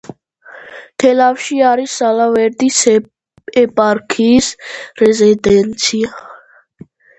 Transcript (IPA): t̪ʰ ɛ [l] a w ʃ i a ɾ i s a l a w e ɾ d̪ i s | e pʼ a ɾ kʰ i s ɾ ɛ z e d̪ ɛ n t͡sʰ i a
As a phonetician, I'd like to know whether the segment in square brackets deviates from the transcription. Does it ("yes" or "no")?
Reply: no